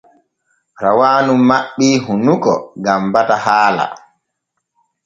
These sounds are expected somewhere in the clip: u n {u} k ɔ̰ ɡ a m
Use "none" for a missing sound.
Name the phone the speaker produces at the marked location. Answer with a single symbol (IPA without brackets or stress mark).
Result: u